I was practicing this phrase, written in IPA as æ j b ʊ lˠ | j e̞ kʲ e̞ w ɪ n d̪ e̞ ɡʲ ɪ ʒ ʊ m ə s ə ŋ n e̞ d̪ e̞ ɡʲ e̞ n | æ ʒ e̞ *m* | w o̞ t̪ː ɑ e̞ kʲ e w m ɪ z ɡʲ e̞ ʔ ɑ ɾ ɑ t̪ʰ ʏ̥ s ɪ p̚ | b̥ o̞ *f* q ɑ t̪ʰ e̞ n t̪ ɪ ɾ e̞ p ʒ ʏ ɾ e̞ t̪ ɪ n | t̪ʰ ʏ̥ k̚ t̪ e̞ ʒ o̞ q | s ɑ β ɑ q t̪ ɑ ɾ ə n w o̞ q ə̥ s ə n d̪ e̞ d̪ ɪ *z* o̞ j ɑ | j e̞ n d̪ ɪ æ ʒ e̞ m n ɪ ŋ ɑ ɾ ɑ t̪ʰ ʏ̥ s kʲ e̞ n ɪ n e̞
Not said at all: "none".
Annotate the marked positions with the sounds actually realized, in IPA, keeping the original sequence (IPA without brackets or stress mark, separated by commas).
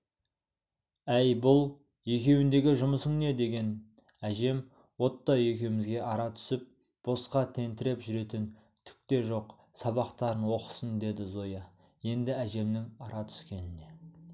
m, s, z